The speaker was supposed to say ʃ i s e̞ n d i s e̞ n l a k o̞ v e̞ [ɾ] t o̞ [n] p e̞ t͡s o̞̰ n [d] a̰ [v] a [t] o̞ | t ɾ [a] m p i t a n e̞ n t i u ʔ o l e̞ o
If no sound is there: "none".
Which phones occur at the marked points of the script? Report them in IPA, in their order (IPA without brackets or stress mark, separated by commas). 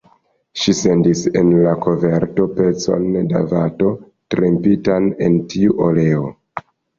ɾ, none, d, v, t, e